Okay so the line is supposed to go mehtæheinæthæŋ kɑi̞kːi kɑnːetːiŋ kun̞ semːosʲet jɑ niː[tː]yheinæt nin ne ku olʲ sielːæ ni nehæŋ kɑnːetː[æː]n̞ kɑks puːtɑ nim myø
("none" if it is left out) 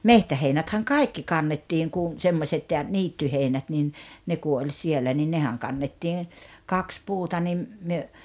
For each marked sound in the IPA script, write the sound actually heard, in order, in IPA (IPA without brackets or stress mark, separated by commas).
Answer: tː, iː